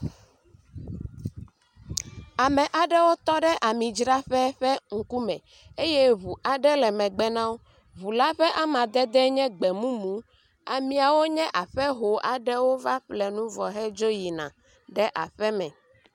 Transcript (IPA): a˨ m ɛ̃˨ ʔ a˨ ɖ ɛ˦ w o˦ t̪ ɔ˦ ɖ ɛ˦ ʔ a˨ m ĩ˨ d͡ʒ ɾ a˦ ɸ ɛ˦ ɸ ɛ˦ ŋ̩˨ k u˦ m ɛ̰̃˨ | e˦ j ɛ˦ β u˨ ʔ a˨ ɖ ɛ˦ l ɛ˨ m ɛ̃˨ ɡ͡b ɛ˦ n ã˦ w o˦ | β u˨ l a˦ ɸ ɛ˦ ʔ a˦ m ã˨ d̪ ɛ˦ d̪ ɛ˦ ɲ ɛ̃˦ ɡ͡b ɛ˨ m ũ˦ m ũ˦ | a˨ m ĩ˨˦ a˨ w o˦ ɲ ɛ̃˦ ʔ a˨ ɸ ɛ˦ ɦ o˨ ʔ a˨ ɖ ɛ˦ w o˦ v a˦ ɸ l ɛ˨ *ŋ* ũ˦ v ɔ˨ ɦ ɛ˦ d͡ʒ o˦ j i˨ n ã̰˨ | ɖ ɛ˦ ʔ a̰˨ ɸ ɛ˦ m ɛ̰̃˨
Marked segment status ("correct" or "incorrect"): incorrect